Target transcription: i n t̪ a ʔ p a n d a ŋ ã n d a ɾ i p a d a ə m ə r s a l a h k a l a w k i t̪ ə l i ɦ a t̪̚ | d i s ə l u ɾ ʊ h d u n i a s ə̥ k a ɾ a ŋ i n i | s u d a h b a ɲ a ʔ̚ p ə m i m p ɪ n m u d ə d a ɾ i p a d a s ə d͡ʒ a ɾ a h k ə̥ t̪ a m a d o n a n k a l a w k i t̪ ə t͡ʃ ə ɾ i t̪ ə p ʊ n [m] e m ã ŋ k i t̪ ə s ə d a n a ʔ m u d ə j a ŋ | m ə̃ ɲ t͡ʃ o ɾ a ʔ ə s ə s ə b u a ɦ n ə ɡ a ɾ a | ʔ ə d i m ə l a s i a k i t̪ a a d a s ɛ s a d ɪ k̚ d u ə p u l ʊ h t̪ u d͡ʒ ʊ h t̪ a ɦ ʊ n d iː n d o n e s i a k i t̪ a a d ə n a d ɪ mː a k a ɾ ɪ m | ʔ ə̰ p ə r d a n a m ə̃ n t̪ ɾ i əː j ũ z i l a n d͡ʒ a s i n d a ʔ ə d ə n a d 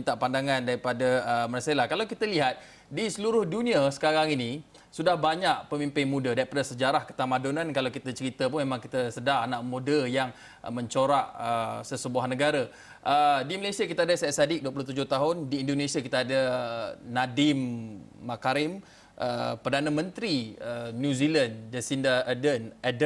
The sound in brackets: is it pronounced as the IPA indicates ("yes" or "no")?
yes